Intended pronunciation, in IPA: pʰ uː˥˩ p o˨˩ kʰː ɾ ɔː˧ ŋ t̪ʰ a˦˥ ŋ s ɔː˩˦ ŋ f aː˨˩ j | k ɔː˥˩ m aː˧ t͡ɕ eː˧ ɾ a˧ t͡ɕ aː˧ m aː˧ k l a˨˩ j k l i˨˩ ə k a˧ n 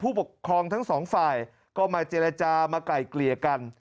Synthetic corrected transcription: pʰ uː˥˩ p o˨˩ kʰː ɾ ɔː˧ ŋ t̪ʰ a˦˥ ŋ s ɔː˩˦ ŋ f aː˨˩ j | k ɔː˥˩ m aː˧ t͡ɕ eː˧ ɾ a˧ t͡ɕ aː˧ m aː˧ k l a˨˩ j k l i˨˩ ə k a˧ n

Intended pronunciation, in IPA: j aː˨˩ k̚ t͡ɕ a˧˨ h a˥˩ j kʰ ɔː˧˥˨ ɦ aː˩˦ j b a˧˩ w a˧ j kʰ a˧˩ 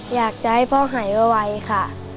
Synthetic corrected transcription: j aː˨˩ k̚ t͡ɕ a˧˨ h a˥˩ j pʰ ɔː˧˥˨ ɦ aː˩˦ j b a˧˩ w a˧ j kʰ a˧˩

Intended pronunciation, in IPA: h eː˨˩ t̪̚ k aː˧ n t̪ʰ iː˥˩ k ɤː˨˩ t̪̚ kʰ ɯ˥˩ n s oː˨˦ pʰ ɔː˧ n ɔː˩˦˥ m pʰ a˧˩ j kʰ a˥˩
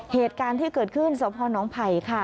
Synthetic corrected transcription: h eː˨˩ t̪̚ k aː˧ n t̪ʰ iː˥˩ k ɤː˨˩ t̪̚ kʰ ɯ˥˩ n s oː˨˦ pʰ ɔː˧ n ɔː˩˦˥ ŋ pʰ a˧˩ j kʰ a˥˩

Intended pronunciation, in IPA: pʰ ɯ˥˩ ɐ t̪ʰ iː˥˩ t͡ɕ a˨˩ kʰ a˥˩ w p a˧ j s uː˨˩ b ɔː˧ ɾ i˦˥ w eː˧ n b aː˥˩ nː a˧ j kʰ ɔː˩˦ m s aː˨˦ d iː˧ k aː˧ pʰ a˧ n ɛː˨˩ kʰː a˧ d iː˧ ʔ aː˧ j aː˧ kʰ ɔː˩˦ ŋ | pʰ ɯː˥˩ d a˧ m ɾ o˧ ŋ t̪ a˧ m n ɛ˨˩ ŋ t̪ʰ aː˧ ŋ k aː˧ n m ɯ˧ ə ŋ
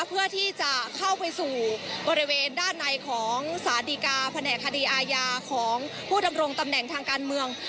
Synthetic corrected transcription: pʰ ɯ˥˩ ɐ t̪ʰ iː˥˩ t͡ɕ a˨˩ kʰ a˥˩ w p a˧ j s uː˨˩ b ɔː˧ ɾ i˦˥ w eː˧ n d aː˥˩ nː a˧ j kʰ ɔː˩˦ ŋ s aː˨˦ d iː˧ k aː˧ pʰ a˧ n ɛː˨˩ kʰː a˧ d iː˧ ʔ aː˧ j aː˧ kʰ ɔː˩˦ ŋ | pʰ uː˥˩ d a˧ m ɾ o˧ ŋ t̪ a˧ m n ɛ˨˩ ŋ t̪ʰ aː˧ ŋ k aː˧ n m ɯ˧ ə ŋ

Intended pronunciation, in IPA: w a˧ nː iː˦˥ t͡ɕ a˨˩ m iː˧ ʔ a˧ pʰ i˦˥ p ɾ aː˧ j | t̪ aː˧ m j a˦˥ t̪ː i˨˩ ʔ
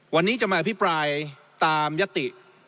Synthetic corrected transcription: w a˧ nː iː˦˥ t͡ɕ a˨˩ m aː˧ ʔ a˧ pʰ i˦˥ p ɾ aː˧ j | t̪ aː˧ m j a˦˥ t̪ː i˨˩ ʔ

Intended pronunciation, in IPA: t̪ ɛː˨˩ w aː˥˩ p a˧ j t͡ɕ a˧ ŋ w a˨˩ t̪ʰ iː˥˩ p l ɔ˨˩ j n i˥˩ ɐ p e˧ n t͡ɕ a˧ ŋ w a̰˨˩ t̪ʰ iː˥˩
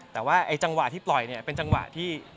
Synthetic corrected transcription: t̪ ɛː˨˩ w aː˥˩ ʔ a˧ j t͡ɕ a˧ ŋ w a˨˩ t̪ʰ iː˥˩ p l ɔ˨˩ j n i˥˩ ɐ p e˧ n t͡ɕ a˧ ŋ w a̰˨˩ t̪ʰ iː˥˩

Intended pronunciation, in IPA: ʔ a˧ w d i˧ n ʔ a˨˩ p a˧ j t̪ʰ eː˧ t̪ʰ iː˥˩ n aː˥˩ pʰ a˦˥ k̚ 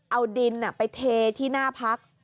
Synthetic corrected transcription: ʔ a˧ w d i˧ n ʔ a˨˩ p a˧ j t̪ʰ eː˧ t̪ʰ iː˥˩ n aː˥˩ pʰ a˦˥ k̚

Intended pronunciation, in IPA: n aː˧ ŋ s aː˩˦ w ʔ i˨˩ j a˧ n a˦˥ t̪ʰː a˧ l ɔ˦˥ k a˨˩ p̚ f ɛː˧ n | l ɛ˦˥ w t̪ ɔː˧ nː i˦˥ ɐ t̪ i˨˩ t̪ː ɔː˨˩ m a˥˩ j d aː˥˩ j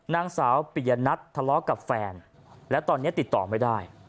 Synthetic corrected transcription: n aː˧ ŋ s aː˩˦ w p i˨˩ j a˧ n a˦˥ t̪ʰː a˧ l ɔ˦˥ k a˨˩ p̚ f ɛː˧ n | l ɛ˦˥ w t̪ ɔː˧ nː i˦˥ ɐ t̪ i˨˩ t̪ː ɔː˨˩ m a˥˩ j d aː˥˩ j

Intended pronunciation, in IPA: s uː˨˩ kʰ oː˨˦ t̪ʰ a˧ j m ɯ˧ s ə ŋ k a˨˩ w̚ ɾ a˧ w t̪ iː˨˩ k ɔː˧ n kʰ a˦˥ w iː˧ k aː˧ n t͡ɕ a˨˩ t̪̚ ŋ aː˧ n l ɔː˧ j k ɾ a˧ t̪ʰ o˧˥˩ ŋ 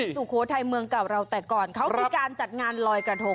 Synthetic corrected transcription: s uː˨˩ kʰ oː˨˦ t̪ʰ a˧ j m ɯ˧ ə ŋ k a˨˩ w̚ ɾ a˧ w t̪ ɛː˨˩ k ɔː˨˩ n kʰ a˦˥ w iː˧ k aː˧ n t͡ɕ a˨˩ t̪̚ ŋ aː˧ n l ɔː˧ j k ɾ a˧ t̪ʰ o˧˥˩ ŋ

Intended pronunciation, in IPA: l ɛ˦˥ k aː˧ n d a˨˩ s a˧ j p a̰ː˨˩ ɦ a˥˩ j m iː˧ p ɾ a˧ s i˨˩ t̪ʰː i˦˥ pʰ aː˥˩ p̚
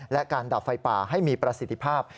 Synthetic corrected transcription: l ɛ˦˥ k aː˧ n d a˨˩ f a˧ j p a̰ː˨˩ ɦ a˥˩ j m iː˧ p ɾ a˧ s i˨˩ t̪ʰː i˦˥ pʰ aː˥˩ p̚

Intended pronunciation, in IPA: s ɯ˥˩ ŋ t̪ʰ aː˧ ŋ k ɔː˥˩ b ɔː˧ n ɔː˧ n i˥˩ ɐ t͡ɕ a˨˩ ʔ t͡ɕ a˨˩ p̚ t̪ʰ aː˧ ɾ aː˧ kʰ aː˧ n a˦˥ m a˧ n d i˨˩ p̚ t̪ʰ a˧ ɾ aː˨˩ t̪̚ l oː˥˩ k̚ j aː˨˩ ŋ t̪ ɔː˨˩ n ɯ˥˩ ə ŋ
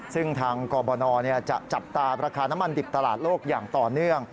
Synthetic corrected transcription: s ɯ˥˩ ŋ t̪ʰ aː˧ ŋ k ɔː˧ b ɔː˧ n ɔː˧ n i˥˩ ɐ t͡ɕ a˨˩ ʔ t͡ɕ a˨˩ p̚ t̪ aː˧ ɾ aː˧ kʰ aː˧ n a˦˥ m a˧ n d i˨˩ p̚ t̪ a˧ l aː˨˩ t̪̚ l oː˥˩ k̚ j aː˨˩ ŋ t̪ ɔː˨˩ n ɯ˥˩ ə ŋ

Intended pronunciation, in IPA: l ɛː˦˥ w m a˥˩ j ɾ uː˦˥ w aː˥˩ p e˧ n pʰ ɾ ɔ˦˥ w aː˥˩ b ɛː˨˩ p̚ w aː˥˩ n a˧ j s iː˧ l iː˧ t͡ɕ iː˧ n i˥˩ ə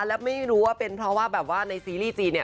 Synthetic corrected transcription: l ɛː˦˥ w m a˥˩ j ɾ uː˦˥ w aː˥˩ p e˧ n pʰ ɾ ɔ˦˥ w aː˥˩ b ɛː˨˩ p̚ w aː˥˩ n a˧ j s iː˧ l iː˥˩ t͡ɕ iː˧ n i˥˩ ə

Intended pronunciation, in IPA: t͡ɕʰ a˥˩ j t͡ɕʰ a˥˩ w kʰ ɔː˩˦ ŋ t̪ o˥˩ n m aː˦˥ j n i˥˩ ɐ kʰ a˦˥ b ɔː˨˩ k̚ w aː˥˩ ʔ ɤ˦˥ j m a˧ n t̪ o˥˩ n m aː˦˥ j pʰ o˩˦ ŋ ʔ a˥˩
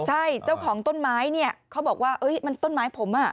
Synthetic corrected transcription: t͡ɕʰ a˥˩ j t͡ɕ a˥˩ w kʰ ɔː˩˦ ŋ t̪ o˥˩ n m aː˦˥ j n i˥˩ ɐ kʰ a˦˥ b ɔː˨˩ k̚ w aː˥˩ ʔ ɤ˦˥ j m a˧ n t̪ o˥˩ n m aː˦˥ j pʰ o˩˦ m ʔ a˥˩

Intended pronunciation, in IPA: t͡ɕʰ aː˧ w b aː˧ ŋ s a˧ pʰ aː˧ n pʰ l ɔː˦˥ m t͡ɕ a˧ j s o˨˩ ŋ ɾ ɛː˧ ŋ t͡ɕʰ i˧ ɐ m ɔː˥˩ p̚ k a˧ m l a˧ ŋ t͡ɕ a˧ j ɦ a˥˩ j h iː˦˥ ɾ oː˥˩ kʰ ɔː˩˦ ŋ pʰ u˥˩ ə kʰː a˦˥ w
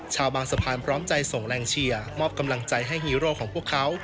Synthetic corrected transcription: t͡ɕʰ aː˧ w b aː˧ ŋ s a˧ pʰ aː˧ n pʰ ɾ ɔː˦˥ m t͡ɕ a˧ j s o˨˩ ŋ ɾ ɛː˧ ŋ t͡ɕʰ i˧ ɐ m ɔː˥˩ p̚ k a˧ m l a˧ ŋ t͡ɕ a˧ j ɦ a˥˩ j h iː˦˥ ɾ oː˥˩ kʰ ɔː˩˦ ŋ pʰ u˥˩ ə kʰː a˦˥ w

